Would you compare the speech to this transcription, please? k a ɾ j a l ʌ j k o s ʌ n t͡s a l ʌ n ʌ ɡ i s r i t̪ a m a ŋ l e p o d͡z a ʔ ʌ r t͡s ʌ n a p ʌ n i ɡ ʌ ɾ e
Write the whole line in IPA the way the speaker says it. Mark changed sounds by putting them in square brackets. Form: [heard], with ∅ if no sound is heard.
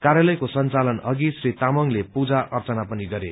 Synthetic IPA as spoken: k a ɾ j a l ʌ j k o s ʌ n t͡s a l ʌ n ʌ ɡ i s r i t̪ a m [ʌ] ŋ l e p [u] d͡z a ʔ ʌ r t͡s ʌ n a p ʌ n i ɡ ʌ ɾ e